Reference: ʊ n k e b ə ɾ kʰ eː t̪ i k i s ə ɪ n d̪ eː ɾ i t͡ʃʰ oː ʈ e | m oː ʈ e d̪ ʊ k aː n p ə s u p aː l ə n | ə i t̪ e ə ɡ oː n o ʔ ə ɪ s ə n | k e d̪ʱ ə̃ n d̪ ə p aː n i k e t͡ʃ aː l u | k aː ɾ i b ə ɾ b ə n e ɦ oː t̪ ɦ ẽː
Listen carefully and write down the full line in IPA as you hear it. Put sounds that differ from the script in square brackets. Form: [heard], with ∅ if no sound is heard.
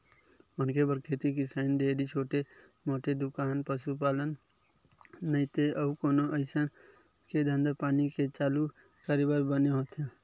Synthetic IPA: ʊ n k e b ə ɾ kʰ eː t̪ i k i s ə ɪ n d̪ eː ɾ i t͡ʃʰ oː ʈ e | m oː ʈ e d̪ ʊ k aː n p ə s u p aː l ə n | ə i t̪ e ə [k] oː n o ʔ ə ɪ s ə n | k e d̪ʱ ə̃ n d̪ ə p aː n i k e t͡ʃ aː l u | k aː ɾ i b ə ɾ b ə n e ɦ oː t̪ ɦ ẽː